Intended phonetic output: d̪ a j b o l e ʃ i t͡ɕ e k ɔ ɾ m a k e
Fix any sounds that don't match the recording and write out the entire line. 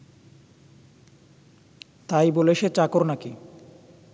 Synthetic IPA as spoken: t̪ a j b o l e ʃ e t͡ɕ a k o ɾ n a k i